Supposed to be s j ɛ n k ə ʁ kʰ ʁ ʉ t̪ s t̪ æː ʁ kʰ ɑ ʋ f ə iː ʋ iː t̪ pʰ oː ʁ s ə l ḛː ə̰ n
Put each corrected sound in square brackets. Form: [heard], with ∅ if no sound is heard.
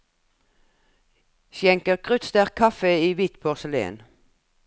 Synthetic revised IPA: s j ɛ [ŋ] k ə ʁ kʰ ʁ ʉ t̪ s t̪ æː ʁ kʰ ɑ [∅] f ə iː ʋ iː t̪ pʰ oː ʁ s ə l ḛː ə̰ n